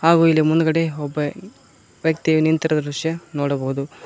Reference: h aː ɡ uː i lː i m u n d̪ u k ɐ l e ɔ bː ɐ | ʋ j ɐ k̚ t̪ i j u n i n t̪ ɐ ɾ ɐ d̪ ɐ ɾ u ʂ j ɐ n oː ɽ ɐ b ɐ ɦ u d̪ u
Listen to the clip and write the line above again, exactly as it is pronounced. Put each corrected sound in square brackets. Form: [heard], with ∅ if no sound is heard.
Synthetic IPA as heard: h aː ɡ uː i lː i m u n d̪ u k ɐ [ɽ] e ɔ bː ɐ | ʋ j ɐ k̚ t̪ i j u n i n t̪ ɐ ɾ ɐ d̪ ɐ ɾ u ʂ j ɐ n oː ɽ ɐ b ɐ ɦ u d̪ u

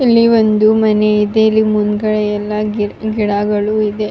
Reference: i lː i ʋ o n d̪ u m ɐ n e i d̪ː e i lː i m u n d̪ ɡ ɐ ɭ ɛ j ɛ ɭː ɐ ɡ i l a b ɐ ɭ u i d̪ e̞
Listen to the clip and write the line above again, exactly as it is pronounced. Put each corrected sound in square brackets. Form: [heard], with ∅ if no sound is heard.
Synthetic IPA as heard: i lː i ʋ o n d̪ u m ɐ n e i [d̪] e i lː i m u n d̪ ɡ ɐ ɭ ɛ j ɛ [lː] ɐ ɡ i [ɽ] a [ɡ] ɐ ɭ u i d̪ e̞

